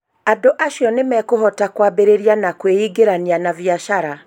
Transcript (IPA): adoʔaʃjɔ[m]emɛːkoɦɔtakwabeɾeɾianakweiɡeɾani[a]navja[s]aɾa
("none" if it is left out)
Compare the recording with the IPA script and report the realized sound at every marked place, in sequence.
n, a, ʃ

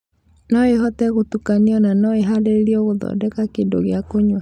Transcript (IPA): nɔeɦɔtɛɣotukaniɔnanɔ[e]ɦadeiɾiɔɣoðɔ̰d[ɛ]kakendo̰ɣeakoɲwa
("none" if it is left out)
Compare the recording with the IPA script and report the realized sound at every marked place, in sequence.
e, ɛ

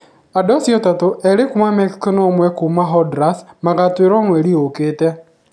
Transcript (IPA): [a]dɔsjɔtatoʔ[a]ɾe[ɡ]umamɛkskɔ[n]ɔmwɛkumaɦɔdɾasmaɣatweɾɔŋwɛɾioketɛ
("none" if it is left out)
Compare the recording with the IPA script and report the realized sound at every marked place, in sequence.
a, ɛ, k, n

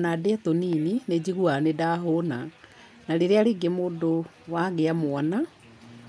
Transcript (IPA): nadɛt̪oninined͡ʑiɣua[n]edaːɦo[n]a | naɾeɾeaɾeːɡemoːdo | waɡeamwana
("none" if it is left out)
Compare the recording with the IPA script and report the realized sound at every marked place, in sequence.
n, n

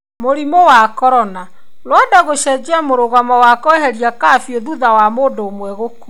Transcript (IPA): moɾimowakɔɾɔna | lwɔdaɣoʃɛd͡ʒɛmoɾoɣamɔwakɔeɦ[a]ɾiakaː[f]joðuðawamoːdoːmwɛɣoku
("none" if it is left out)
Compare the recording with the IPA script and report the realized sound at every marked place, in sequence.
ɛ, f

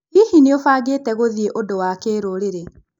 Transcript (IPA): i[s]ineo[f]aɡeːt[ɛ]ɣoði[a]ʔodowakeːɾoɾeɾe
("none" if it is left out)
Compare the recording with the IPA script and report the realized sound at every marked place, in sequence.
h, f, ɛ, e

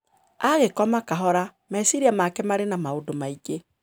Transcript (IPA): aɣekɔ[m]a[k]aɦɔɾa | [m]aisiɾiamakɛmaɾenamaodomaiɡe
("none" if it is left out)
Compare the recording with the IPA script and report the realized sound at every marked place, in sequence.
m, k, m

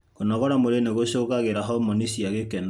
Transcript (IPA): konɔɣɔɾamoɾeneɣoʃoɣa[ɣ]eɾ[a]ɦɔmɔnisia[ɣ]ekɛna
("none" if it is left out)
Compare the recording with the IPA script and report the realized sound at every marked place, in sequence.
ɣ, a, ɣ

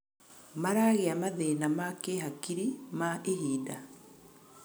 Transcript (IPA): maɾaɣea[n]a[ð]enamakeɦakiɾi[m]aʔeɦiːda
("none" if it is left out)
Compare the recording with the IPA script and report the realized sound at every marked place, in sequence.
m, ð, m

